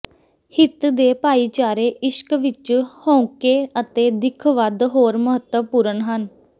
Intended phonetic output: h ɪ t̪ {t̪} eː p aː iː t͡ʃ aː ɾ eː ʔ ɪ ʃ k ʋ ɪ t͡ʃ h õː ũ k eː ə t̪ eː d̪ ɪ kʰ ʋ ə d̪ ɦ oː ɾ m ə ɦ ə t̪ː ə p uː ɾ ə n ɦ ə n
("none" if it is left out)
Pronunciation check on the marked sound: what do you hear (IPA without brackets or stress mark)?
d̪